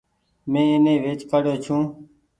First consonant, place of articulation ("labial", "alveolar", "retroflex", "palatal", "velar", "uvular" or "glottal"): labial